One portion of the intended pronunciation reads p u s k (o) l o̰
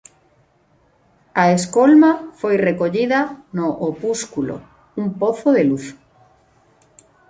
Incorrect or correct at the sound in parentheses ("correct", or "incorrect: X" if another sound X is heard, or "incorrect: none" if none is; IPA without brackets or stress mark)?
incorrect: u